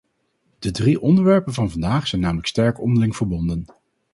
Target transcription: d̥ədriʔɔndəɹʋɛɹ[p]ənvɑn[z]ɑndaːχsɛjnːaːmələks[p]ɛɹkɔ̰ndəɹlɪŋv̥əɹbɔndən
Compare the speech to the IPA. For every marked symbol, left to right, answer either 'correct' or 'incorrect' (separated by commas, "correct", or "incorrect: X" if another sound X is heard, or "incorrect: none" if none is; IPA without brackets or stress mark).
correct, incorrect: v, incorrect: t